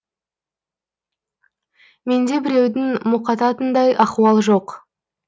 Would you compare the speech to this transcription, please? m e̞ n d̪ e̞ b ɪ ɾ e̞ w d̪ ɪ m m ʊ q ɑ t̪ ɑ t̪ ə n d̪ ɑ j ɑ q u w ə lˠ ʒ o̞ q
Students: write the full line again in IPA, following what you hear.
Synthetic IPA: m e̞ n d̪ e̞ b ɪ ɾ e̞ w d̪ ɪ ŋ m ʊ q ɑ t̪ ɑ t̪ ə n d̪ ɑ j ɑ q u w ɑ lˠ ʒ o̞ q